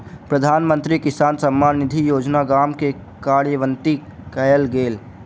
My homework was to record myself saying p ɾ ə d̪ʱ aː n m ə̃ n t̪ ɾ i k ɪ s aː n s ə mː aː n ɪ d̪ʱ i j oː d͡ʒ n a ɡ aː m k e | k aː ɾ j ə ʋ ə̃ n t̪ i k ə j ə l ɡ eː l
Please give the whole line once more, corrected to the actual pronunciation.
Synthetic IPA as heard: p ɾ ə d̪ʱ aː n m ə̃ n t̪ ɾ i k ɪ s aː n s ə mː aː n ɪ d̪ʱ i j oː d͡ʒ n a ɡ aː m k e | k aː ɾ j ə ʋ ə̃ n t̪ i k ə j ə l ɡ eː l